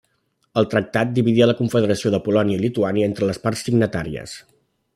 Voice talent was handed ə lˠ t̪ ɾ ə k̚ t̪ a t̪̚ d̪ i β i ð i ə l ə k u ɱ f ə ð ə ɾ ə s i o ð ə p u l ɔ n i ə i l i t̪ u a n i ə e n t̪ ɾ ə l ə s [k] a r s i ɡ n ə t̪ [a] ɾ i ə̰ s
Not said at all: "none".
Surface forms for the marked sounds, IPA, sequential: p, a

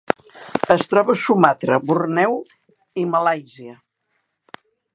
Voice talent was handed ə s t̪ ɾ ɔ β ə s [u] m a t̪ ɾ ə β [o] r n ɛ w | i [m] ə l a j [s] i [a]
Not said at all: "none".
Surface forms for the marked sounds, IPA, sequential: u, u, m, z, ə

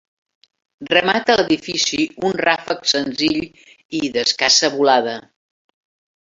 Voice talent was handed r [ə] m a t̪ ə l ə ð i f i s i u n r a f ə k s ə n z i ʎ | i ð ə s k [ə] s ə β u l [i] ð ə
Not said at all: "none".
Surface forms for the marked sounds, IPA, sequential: ə, a, a

